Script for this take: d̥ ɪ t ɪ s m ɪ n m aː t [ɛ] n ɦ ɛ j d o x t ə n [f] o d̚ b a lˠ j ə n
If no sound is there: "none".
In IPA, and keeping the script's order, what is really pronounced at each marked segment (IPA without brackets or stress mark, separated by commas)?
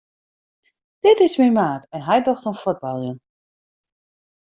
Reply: ɛ, f